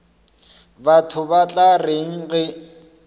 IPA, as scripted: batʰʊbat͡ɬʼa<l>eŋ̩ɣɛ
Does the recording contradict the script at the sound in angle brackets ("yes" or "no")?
yes